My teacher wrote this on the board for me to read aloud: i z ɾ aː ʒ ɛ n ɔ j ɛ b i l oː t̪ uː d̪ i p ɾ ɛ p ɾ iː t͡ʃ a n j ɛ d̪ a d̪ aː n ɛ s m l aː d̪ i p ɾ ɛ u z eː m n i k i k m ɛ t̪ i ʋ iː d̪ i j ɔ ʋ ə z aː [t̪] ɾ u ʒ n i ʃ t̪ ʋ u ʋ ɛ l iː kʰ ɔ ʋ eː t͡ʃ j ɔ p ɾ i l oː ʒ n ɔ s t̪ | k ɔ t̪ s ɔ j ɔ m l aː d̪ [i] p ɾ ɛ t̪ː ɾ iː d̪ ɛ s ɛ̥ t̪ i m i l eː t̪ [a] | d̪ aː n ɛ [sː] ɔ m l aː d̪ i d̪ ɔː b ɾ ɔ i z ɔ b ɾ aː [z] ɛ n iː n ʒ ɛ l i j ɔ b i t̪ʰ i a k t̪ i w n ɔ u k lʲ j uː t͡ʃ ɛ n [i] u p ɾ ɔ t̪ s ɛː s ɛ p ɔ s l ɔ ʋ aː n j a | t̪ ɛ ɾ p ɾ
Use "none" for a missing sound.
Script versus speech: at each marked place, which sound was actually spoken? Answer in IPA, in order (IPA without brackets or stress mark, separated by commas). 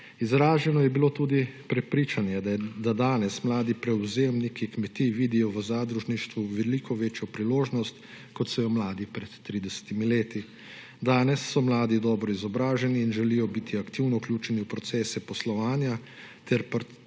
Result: d̪, i, i, sː, ʒ, i